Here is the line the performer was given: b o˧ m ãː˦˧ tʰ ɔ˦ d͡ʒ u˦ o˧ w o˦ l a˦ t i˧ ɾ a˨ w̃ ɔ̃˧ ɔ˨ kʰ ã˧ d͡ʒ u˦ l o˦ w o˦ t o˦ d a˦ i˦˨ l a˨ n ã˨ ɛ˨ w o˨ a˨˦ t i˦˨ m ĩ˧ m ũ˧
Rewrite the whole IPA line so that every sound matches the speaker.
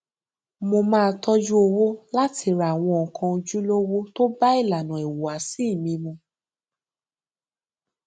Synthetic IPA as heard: m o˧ m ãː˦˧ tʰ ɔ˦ d͡ʒ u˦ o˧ w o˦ l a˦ t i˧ ɾ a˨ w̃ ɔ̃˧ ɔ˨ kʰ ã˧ d͡ʒ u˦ l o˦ w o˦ t o˦ b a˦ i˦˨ l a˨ n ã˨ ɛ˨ w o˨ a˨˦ s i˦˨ m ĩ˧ m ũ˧